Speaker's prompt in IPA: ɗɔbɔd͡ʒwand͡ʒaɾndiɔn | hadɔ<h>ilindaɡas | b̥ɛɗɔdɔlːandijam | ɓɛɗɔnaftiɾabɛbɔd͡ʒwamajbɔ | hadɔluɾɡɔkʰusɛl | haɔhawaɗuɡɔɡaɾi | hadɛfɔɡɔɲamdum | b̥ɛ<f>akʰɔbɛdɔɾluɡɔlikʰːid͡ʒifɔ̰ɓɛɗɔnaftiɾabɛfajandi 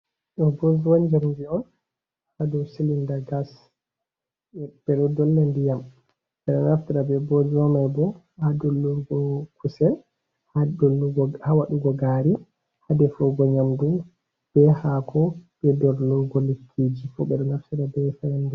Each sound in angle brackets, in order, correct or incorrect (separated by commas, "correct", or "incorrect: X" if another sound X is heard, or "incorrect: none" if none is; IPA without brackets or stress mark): incorrect: s, incorrect: h